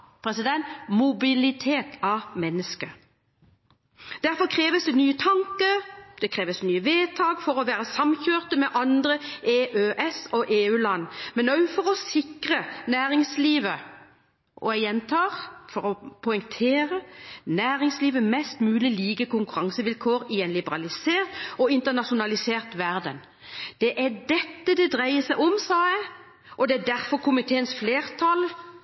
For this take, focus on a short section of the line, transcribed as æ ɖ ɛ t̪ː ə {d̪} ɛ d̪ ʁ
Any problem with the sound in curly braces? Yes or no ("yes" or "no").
no